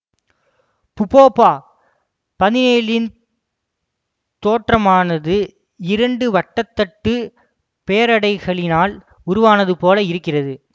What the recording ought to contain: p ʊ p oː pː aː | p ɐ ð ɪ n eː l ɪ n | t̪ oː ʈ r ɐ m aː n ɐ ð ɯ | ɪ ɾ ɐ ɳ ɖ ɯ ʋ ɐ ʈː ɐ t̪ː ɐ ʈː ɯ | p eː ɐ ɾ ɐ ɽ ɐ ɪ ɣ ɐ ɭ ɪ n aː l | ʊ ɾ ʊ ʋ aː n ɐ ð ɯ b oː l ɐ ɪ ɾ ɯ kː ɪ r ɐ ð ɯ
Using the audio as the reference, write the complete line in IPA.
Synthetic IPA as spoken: p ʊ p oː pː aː | p ɐ ð ɪ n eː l ɪ n | t̪ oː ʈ r ɐ m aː n ɐ ð ɯ | ɪ ɾ ɐ ɳ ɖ ɯ ʋ ɐ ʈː ɐ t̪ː ɐ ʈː ɯ | p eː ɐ ɾ ɐ ɽ ɐ ɪ ɣ ɐ ɭ ɪ n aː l | ʊ ɾ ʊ ʋ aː n ɐ ð ɯ p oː l ɐ ɪ ɾ ɯ kː ɪ r ɐ ð ɯ